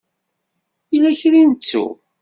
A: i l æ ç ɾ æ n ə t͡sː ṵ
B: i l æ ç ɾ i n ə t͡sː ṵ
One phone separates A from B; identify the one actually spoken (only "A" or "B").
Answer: B